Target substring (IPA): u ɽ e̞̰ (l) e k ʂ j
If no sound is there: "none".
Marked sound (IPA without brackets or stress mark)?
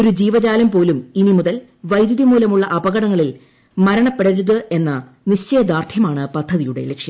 l